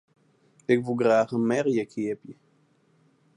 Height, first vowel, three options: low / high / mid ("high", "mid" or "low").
high